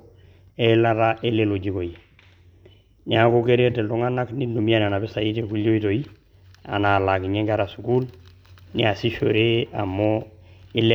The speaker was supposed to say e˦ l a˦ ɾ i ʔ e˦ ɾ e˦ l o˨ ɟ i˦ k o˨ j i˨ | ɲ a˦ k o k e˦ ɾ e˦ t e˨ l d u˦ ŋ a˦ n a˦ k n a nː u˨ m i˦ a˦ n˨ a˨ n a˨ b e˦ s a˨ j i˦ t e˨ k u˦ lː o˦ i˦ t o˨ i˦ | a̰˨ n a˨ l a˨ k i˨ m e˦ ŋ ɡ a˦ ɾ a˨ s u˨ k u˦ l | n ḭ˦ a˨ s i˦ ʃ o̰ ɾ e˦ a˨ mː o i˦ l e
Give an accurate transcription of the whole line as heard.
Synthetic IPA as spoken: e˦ l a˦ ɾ a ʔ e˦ l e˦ l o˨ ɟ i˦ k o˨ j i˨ | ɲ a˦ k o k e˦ ɾ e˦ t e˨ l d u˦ ŋ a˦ n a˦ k n i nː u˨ m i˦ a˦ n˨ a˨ n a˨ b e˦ s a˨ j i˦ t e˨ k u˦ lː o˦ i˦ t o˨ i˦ | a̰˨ n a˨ l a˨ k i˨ ɲ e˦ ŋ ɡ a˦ ɾ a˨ s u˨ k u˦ l | n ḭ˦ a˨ s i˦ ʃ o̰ ɾ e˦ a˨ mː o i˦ l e